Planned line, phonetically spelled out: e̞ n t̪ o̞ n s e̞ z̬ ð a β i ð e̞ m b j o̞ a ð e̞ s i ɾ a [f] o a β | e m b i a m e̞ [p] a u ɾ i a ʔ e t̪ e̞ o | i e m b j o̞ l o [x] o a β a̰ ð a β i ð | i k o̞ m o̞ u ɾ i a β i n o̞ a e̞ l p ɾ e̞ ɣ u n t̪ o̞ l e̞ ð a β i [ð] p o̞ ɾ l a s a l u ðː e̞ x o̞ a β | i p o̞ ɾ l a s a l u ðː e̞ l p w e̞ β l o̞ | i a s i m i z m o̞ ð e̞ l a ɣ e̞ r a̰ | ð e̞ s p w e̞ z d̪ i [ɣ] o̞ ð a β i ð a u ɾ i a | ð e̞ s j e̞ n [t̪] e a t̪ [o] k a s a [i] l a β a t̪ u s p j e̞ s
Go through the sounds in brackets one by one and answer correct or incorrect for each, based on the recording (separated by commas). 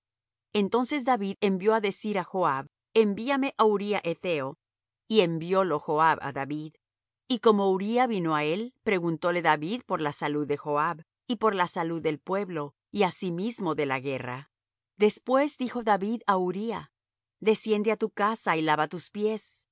incorrect, incorrect, correct, correct, incorrect, incorrect, incorrect, correct